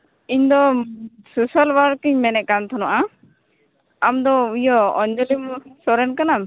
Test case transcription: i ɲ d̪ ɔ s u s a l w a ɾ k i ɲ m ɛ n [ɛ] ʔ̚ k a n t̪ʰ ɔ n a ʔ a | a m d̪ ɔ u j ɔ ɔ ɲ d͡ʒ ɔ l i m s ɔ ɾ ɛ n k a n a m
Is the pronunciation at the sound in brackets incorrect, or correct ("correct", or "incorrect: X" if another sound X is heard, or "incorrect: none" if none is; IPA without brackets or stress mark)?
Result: correct